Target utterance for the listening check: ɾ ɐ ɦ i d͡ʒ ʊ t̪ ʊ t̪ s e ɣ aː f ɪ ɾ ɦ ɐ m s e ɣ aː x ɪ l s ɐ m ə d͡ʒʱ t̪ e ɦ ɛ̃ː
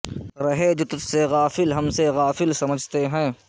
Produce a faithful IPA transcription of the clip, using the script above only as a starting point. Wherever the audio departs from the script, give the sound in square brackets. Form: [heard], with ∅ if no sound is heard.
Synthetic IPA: ɾ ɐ ɦ [e] d͡ʒ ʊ t̪ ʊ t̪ s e ɣ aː f ɪ [l] ɦ ɐ m s e ɣ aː [f] ɪ l s ɐ m ə d͡ʒʱ t̪ e ɦ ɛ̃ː